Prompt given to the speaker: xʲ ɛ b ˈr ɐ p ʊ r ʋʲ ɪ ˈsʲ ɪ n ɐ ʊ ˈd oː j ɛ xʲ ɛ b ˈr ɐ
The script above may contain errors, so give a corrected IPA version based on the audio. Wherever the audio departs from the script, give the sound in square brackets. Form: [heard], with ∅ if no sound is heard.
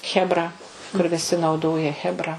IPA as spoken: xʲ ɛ b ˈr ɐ [k] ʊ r ʋʲ ɪ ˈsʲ ɪ n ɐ ʊ ˈd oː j ɛ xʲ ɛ b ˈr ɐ